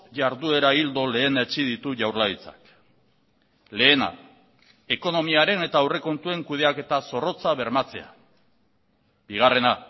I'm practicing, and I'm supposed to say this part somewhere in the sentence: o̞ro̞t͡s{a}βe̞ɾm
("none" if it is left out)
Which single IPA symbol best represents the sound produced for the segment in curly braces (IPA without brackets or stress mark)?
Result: a